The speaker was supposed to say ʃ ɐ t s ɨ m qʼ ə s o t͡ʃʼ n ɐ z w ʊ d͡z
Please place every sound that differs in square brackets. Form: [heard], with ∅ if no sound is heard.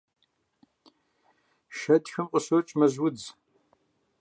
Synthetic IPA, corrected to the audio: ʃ ɐ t [x] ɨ m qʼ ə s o t͡ʃʼ [m] ɐ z w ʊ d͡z